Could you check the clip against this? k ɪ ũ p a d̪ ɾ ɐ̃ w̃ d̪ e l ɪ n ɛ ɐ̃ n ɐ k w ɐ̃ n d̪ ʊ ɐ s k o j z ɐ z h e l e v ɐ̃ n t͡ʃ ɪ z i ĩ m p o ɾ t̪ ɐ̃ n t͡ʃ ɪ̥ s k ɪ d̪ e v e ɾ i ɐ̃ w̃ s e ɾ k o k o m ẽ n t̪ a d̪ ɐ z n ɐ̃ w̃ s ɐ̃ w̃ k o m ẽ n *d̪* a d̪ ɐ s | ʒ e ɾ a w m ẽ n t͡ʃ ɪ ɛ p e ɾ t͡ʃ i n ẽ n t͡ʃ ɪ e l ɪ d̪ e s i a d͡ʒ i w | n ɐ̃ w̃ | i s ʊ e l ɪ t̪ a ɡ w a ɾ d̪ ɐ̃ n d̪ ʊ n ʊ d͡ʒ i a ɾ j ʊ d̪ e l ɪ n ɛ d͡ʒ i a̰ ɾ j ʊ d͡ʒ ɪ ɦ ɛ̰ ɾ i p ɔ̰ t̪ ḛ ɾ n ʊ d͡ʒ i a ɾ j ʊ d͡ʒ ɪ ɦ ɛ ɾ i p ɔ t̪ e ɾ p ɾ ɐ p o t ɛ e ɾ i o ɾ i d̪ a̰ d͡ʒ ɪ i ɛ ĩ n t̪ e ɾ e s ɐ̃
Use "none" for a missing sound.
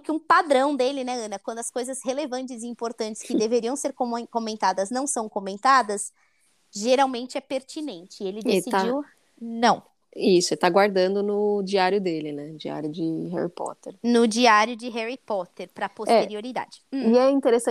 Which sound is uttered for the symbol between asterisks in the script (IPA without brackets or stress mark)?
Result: t̪